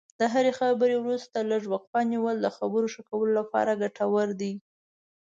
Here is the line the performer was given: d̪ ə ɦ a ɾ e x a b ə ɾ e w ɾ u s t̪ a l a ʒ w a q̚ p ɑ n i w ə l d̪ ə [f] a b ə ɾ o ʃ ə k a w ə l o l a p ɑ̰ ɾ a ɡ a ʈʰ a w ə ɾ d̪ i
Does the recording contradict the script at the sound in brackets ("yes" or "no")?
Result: yes